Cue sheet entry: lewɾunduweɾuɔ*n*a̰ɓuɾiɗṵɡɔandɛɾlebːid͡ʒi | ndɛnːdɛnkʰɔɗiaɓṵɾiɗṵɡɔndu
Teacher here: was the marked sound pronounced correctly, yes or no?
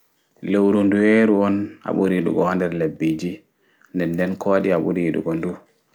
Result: yes